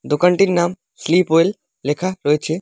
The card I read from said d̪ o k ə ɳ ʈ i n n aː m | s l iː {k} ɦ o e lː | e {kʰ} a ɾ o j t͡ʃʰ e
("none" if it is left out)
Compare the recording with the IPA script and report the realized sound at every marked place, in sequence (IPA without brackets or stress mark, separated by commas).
p, kʰ